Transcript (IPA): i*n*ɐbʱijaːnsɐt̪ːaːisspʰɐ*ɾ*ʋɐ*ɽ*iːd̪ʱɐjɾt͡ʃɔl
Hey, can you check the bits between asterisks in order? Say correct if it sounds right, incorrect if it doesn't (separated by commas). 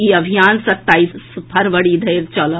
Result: incorrect, correct, correct